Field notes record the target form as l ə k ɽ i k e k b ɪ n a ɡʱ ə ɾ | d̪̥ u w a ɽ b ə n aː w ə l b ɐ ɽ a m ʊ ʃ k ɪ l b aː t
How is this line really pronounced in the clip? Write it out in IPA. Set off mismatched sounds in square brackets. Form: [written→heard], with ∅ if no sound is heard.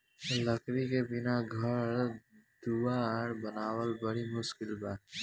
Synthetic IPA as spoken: l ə k [ɽ→ɾ] i k e [k→∅] b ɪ n a ɡʱ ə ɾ | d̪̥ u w a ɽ b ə n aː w ə l b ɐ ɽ [a→i] m ʊ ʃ k ɪ l b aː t